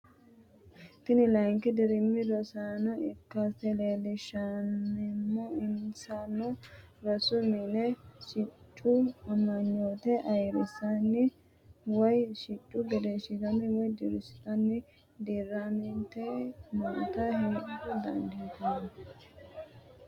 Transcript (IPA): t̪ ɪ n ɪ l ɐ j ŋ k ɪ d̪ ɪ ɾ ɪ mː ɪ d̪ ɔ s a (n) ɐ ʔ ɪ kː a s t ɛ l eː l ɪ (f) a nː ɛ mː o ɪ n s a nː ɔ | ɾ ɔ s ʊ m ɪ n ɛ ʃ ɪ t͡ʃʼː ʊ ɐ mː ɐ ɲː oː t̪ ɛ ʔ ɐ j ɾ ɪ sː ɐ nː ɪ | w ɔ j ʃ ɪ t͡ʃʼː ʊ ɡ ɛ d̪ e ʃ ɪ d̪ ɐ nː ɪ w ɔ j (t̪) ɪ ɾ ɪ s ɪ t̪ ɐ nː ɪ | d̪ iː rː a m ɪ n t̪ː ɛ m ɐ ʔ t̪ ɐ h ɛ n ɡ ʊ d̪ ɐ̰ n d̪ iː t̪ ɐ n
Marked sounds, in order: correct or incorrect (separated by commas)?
correct, incorrect, incorrect